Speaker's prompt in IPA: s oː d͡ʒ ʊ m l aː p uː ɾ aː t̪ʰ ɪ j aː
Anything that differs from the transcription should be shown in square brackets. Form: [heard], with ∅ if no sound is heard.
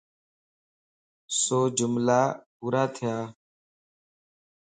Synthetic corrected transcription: s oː d͡ʒ ʊ m l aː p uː ɾ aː t̪ʰ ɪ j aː